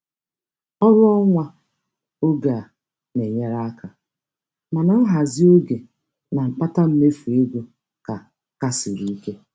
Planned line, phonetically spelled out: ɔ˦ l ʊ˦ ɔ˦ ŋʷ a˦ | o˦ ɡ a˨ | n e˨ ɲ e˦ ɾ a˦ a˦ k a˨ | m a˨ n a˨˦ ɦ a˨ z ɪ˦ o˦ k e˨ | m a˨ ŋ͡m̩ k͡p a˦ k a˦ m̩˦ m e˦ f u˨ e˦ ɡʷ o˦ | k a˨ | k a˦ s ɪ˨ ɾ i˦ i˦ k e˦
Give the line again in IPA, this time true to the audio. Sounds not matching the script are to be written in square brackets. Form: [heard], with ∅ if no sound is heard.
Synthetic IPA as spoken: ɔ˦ [ɾ] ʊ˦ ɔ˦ ŋʷ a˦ | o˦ ɡ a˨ | n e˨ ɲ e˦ ɾ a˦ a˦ k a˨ | m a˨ n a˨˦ ɦ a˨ z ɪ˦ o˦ [ɡ] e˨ | [n] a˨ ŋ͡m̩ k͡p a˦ [t] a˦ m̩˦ m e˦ f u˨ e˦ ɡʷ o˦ | k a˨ | k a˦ s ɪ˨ ɾ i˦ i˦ k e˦